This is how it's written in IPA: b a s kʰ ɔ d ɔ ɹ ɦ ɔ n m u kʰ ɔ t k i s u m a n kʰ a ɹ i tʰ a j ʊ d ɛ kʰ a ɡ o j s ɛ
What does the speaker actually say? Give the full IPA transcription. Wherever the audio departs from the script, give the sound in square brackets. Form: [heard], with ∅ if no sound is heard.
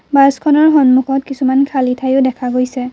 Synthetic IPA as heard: b a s kʰ ɔ [n] ɔ ɹ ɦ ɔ n m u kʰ ɔ t k i s u m a n kʰ a [l] i tʰ a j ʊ d ɛ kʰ a ɡ o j s ɛ